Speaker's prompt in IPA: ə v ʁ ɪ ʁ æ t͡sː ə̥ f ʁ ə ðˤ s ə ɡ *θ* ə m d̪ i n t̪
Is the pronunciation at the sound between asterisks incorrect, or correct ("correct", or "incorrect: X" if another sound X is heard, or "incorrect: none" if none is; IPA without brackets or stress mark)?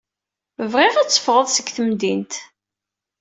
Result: correct